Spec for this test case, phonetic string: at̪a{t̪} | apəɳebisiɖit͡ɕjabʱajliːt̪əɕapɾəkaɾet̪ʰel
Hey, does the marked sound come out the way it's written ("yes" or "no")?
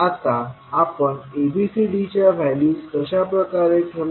no